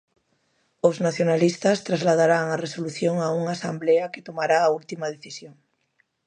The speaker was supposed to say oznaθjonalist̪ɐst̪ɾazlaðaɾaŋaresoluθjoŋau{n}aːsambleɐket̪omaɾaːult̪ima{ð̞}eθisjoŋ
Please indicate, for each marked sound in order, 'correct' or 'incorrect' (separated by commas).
incorrect, correct